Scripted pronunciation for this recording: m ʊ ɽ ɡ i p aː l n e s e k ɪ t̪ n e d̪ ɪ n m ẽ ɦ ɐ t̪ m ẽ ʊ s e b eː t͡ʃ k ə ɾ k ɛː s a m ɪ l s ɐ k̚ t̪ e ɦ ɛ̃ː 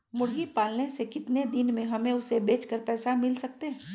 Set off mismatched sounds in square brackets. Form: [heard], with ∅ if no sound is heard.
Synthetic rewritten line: m ʊ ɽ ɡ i p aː l n e s e k ɪ t̪ n e d̪ ɪ n m ẽ ɦ ɐ [∅] m ẽ ʊ s e b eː t͡ʃ k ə ɾ [p] ɛː s a m ɪ l s ɐ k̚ t̪ e ɦ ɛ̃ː